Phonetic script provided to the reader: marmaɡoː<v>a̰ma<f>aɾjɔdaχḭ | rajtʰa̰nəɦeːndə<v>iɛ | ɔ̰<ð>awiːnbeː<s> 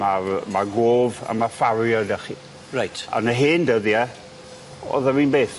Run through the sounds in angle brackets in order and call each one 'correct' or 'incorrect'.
correct, correct, incorrect: ð, correct, incorrect: θ

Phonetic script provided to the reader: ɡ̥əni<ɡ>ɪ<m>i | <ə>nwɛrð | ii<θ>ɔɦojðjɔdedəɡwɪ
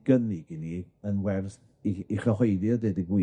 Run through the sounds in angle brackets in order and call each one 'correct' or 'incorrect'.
correct, incorrect: n, correct, incorrect: χ

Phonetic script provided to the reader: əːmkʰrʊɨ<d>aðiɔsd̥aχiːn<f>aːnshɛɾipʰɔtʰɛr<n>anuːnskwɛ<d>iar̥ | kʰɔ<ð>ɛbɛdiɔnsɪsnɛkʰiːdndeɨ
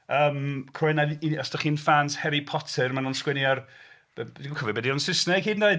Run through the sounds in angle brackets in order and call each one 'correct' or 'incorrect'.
incorrect: n, correct, incorrect: m, incorrect: n, incorrect: v

